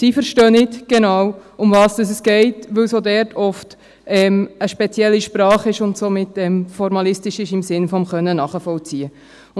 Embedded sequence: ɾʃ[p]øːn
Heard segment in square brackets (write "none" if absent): t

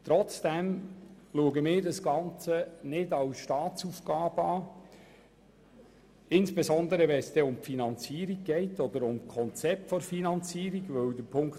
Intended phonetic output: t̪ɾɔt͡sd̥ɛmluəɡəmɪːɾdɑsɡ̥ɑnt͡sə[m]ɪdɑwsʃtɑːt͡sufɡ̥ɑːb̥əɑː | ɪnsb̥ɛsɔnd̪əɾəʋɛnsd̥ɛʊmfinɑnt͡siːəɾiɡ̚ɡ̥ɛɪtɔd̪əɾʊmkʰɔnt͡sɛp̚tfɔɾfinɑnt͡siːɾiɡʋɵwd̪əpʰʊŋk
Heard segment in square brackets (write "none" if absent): n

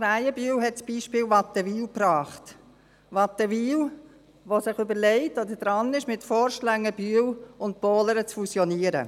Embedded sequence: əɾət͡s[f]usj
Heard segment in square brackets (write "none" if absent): f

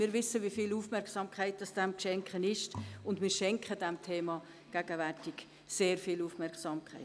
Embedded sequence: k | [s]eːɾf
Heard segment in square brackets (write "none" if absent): s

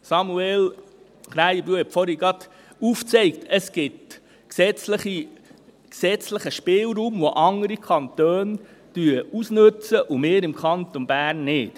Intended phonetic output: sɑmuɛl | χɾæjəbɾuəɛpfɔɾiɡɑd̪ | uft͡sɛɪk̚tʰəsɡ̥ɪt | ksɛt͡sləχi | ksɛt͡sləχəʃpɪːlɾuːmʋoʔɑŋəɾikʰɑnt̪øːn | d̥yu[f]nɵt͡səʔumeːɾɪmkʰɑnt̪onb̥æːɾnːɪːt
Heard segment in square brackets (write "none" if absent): s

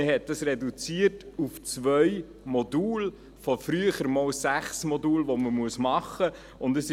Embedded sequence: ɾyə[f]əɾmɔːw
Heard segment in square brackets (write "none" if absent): χ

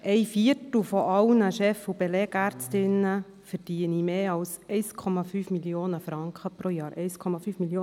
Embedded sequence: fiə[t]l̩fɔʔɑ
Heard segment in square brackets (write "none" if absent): t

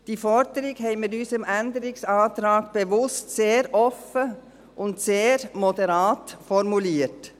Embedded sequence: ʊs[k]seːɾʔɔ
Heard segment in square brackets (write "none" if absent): t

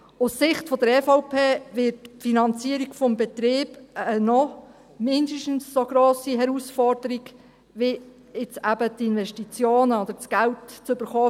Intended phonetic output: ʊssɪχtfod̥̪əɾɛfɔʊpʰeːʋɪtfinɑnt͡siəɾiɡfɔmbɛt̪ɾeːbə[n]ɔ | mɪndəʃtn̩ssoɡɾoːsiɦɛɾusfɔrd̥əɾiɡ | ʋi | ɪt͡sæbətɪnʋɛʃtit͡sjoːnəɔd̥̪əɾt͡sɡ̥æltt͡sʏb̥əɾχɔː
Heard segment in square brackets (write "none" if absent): n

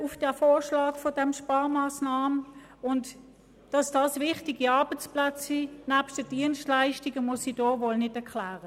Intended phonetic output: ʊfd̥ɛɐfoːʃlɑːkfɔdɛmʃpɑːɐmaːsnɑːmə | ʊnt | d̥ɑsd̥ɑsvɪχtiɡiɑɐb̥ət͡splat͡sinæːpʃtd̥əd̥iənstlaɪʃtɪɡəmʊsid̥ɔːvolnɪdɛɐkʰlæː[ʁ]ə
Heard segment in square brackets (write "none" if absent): ʁ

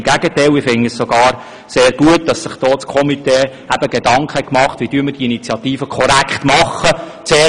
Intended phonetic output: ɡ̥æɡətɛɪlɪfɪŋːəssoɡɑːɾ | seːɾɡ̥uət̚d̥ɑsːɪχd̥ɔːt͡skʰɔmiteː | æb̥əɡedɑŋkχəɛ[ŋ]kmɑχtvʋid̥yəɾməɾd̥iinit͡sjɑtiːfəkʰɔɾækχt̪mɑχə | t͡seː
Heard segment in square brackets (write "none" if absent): none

